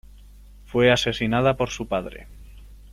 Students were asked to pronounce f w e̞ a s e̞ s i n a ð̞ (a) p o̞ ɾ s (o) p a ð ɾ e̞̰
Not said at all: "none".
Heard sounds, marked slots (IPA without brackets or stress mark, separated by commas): a, u